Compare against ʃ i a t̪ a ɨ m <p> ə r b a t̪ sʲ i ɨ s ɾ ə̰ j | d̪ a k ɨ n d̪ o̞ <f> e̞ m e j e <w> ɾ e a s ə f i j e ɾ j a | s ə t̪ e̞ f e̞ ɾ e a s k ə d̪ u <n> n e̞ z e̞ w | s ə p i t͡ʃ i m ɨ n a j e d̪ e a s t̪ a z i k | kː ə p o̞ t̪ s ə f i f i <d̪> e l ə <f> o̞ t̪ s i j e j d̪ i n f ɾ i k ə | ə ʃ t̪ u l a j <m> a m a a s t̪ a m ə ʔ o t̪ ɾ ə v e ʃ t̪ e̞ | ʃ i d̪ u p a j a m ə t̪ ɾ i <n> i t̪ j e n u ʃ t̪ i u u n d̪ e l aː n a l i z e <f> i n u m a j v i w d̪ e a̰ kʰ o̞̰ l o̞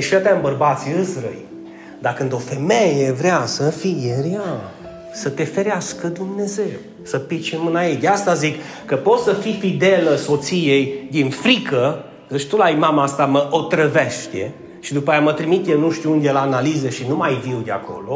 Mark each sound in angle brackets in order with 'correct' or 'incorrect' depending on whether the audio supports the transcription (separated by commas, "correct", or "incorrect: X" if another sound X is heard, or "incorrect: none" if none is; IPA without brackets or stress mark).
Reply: incorrect: b, correct, incorrect: v, incorrect: m, correct, incorrect: s, correct, incorrect: m, incorrect: ʃ